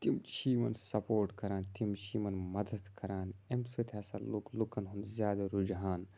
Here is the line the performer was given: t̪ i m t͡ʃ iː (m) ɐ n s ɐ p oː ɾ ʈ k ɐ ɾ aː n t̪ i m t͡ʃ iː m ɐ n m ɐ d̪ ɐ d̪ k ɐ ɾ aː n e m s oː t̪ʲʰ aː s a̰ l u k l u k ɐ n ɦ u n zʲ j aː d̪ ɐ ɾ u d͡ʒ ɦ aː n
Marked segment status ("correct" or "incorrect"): correct